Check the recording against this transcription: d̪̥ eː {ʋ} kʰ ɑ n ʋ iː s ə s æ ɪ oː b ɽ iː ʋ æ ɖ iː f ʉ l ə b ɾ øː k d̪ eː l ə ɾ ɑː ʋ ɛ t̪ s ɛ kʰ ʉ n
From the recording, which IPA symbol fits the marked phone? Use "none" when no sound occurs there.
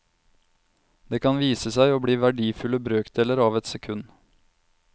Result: none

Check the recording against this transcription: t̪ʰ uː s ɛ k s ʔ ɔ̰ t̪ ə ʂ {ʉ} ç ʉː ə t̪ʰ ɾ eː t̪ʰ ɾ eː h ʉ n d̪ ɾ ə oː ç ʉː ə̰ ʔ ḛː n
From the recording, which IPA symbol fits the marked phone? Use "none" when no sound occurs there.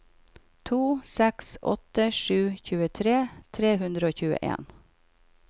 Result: ʉː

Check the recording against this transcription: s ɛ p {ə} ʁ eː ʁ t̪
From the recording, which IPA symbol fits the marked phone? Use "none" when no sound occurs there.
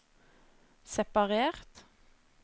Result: ɑ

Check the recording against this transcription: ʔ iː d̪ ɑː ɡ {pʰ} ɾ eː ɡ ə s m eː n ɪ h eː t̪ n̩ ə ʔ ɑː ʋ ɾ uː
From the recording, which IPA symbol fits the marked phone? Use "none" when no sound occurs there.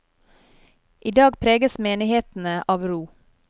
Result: pʰ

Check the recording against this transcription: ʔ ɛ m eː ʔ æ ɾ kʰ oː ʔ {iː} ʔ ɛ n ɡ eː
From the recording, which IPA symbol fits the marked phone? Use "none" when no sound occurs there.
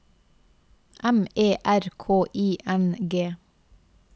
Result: iː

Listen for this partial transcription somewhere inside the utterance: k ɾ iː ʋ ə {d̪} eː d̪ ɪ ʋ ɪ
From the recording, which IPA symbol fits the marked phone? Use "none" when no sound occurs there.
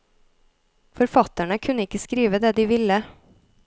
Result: d̪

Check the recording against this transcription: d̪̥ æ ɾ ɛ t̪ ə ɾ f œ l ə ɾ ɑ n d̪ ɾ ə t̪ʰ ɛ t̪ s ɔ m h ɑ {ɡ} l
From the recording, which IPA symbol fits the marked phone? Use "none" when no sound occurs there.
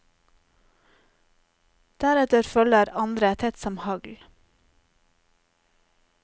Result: ɡ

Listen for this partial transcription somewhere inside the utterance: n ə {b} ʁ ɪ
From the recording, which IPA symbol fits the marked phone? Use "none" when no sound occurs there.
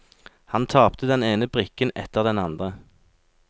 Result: b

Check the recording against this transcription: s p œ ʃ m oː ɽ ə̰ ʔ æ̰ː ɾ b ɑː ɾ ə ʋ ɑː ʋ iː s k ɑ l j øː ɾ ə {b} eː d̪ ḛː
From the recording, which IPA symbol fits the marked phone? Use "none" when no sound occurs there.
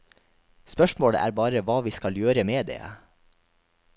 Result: m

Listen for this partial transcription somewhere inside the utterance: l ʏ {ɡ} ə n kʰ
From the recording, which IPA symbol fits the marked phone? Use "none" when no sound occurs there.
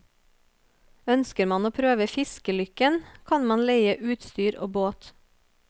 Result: k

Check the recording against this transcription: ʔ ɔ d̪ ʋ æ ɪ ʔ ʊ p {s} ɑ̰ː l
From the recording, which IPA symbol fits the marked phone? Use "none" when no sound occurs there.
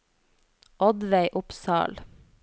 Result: s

